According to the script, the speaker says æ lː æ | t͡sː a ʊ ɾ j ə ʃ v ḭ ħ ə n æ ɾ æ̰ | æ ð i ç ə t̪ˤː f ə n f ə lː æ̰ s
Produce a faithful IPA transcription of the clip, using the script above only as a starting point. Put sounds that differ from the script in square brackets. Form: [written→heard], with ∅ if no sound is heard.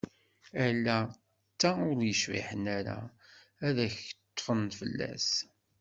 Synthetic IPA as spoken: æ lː æ | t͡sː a ʊ ɾ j ə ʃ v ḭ ħ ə n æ ɾ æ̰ | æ ð [i→æ] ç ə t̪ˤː f ə n f ə lː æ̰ s